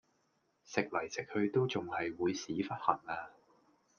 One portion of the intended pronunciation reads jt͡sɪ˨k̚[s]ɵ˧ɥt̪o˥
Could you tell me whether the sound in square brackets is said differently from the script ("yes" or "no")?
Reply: yes